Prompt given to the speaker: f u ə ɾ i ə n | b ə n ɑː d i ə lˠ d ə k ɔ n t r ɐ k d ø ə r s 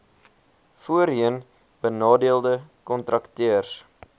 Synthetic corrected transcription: f u ə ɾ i ə n | b ə n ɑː d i ə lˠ d ə k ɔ n t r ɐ k t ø ə r s

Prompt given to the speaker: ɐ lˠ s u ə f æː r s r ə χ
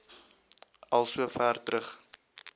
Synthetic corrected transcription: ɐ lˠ s u ə f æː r t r ə χ

